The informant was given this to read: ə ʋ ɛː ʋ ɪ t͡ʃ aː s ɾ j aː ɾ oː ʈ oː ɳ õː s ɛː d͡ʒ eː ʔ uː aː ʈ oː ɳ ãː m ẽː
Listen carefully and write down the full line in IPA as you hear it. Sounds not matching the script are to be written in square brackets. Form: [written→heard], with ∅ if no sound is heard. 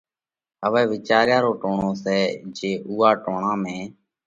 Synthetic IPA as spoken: ə ʋ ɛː ʋ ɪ t͡ʃ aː [s→∅] ɾ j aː ɾ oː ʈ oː ɳ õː s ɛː d͡ʒ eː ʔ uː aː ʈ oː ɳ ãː m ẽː